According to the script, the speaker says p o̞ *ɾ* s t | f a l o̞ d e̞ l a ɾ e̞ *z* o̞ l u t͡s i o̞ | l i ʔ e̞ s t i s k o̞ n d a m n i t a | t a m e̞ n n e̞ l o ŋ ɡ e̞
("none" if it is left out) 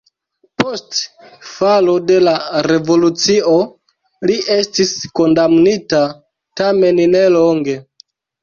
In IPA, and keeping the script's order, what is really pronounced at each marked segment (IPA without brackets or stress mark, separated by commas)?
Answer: none, v